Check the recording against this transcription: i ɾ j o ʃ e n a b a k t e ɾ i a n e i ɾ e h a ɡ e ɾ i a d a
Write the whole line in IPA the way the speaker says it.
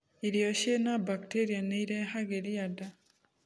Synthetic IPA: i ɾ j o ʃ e n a b a k t e ɾ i a n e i ɾ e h a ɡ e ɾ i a d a

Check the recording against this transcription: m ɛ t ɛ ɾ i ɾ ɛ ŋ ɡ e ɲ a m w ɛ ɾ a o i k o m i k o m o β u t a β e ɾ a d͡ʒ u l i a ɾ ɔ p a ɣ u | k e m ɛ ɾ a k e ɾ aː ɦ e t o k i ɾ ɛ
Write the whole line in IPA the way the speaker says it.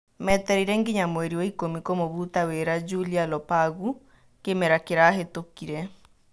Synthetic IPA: m ɛ t ɛ ɾ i ɾ ɛ ŋ ɡ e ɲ a m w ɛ ɾ i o i k o m i k o m o β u t a w e ɾ a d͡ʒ u l i a l ɔ p a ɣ u | k e m ɛ ɾ a k e ɾ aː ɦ e t o k i ɾ ɛ

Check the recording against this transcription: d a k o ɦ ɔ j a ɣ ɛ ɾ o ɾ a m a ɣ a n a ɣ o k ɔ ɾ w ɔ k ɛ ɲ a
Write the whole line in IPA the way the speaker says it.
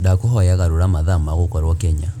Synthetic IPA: d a k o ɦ ɔ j a ɣ a ɾ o ɾ a m a ð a m a ɣ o k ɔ ɾ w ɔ k ɛ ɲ a

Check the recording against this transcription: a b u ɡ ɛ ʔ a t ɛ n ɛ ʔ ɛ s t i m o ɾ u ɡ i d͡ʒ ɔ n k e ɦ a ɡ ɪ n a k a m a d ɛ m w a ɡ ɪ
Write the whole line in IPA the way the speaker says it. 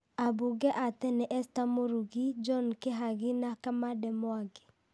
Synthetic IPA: a b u ɡ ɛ ʔ a t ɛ n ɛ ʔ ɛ s t a m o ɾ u ɡ i d͡ʒ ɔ n k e ɦ a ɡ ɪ n a k a m a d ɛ m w a ɡ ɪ

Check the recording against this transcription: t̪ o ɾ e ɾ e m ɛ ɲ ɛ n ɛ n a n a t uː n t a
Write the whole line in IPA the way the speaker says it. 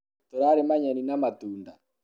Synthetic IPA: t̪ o ɾ a ɾ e m a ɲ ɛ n i n a m a t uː n d a

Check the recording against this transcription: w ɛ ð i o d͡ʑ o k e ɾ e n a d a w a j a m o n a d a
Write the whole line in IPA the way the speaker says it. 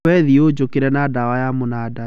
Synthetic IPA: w ɛ ð i o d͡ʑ o k e ɾ ɛ n a d a w a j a m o n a d a

